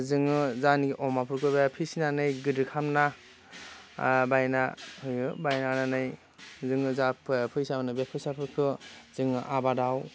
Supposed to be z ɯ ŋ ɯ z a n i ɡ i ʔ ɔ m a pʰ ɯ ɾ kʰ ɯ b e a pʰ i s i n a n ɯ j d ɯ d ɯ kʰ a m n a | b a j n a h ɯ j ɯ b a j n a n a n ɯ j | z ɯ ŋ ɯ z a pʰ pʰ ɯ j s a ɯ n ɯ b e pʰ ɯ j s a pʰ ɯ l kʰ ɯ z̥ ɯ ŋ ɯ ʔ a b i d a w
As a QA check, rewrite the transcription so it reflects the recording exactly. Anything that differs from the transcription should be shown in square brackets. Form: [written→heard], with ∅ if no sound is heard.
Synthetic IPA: z ɯ ŋ ɯ z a n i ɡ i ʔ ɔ m a pʰ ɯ ɾ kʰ ɯ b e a pʰ i s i n a n ɯ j [d→ɡ] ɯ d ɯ kʰ a m n a | b a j n a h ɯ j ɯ b a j n a n a n ɯ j | z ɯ ŋ ɯ z a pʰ pʰ ɯ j s a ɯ n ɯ b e pʰ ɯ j s a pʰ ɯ [l→ɾ] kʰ ɯ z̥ ɯ ŋ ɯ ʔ a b [i→a] d a w